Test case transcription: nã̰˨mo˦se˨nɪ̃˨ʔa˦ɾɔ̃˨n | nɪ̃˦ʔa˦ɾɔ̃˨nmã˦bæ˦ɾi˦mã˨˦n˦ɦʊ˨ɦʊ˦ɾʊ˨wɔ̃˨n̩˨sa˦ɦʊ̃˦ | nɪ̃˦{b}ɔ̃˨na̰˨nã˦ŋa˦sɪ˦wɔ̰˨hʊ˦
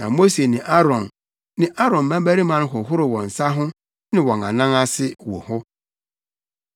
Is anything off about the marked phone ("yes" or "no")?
yes